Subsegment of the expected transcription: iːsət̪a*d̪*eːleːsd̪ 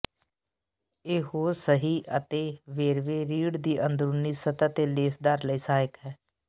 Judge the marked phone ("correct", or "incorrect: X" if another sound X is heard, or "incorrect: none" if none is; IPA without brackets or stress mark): incorrect: t̪